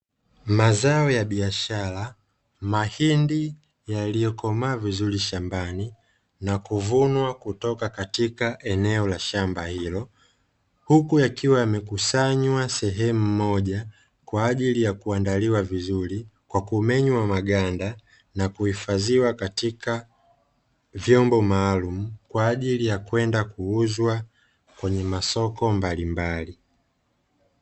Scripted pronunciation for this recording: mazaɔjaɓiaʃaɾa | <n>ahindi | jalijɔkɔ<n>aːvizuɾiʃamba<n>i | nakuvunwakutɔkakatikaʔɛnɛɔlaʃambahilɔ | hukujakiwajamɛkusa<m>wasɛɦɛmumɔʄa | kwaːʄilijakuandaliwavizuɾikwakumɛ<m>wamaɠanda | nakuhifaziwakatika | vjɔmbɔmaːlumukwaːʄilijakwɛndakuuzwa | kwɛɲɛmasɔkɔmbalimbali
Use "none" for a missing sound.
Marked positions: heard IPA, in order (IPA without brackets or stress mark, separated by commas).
m, m, n, ɲ, ɲ